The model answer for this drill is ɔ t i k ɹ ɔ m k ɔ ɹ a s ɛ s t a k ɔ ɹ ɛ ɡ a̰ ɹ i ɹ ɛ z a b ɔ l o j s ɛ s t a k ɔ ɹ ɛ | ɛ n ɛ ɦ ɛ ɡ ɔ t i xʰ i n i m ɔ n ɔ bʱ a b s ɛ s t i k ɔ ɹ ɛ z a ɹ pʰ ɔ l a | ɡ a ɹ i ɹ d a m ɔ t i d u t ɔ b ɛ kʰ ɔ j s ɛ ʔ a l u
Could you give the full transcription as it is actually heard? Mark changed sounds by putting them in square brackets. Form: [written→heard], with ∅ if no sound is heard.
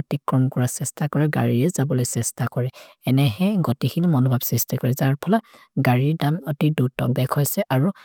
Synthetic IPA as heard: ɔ t i k ɹ ɔ m k ɔ ɹ a s ɛ s t a k ɔ ɹ ɛ ɡ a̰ ɹ i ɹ ɛ z a b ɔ l o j s ɛ s t a k ɔ ɹ ɛ | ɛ n ɛ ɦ ɛ ɡ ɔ t i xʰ i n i m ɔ n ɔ bʱ a b s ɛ s t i k ɔ ɹ ɛ z a ɹ pʰ ɔ l a | ɡ a ɹ i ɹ d a m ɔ t i d u t ɔ b ɛ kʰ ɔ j s ɛ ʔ a [l→ɹ] u